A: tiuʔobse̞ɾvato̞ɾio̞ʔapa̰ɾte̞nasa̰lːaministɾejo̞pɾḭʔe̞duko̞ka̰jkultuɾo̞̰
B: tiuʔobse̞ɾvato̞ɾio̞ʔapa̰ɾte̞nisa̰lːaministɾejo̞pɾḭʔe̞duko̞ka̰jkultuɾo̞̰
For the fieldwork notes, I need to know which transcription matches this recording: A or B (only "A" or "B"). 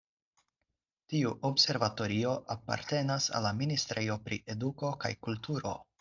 A